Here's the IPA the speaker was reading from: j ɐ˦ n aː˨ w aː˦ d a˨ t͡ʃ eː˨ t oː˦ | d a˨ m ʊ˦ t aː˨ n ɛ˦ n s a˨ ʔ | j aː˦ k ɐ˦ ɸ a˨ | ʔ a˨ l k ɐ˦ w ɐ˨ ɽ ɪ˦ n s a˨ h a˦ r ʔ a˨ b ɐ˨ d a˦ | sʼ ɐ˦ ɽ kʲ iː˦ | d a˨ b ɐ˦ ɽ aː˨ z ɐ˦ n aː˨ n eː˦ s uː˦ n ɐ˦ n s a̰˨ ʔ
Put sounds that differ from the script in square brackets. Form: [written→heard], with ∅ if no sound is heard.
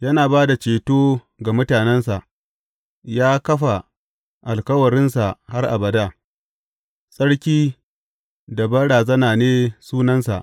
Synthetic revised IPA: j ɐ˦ n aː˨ [w→b] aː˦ d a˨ t͡ʃ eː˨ t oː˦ | [d→ɡ] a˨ m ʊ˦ t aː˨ n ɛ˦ n s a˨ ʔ | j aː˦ k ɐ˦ ɸ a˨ | ʔ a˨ l k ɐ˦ w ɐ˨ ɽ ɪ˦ n s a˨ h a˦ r ʔ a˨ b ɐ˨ d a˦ | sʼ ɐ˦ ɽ kʲ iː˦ | d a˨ b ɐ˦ ɽ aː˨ z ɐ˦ n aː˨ n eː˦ s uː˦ n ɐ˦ n s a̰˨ ʔ